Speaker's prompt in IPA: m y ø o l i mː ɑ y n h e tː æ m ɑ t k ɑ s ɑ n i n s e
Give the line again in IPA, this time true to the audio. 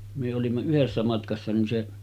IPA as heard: m y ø o l i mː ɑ y h e sː æ m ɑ t k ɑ sː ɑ n i n s e